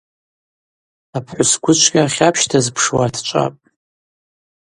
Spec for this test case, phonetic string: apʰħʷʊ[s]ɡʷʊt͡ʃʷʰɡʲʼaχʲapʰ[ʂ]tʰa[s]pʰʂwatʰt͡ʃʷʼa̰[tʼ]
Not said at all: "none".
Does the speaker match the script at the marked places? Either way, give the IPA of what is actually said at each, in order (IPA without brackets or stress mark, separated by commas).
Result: s, ʃ, z, pʼ